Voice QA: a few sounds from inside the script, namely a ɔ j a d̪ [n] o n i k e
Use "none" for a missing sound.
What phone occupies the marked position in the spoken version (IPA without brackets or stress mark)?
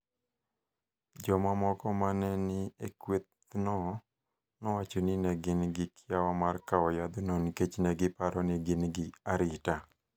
n